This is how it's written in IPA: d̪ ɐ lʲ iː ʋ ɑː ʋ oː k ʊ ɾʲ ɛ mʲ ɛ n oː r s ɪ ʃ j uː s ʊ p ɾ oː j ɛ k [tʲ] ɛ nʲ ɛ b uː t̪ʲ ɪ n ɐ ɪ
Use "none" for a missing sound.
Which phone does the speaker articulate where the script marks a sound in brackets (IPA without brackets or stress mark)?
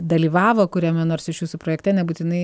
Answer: tʲ